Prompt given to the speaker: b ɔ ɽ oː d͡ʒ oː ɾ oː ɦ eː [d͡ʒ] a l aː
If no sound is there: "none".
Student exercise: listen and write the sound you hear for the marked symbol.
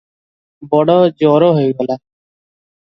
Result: none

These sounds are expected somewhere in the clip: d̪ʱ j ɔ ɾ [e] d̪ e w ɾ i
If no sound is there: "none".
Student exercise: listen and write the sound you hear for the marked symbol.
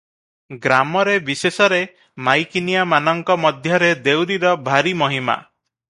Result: e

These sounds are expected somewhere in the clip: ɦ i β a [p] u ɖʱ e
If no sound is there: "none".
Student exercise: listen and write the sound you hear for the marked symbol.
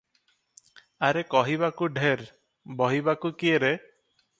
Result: k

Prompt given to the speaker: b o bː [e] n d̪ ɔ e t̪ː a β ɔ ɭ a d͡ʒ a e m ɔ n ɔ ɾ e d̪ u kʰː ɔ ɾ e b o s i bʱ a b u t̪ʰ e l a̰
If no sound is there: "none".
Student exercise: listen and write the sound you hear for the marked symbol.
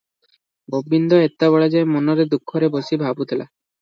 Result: i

